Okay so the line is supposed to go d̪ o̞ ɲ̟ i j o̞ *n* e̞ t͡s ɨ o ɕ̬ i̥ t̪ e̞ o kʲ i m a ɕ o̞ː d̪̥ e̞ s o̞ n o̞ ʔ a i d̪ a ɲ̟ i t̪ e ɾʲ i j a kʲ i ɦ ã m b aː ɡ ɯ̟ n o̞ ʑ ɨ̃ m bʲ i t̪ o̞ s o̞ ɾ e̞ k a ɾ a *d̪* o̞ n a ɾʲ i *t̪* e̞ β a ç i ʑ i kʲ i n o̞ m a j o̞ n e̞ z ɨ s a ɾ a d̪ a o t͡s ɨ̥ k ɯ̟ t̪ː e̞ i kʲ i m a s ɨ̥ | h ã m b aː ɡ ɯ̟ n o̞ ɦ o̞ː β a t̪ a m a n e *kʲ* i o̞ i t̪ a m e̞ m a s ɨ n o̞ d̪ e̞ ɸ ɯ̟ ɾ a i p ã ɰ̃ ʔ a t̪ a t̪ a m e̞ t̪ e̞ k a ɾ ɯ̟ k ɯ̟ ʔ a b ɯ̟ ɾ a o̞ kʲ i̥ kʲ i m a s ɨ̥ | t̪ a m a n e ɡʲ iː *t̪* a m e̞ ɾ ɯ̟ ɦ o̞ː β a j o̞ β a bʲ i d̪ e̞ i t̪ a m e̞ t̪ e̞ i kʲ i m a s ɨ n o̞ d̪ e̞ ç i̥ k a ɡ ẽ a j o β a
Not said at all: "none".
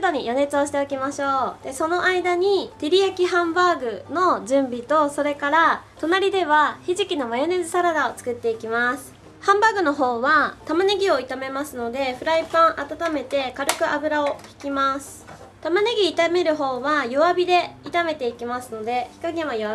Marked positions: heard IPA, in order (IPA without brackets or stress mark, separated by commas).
n, t̪, d̪, ɡʲ, t̪